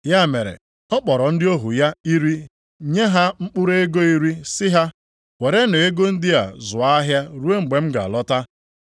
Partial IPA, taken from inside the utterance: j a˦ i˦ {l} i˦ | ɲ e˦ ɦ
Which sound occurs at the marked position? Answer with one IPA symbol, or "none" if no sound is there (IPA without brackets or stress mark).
ɾ